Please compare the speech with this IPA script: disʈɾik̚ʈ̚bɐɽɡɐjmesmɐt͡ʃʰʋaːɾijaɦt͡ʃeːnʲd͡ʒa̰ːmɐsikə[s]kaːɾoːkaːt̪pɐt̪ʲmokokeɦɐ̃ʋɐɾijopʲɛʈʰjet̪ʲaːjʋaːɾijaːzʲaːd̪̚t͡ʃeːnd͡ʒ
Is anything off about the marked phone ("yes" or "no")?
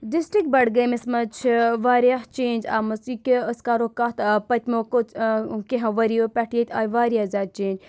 no